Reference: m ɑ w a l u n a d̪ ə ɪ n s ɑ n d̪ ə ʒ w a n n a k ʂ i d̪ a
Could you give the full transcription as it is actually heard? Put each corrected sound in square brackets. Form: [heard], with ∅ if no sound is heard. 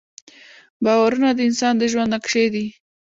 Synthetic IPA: [b] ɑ w a [ɾ] u n a d̪ ə ɪ n s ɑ n d̪ ə ʒ w a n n a k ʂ [e] d̪ [i]